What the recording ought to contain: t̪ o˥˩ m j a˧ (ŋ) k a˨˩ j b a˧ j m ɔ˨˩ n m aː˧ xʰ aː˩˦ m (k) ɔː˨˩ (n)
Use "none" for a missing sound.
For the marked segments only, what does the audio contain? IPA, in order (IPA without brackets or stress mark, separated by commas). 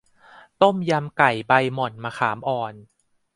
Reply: m, ʔ, n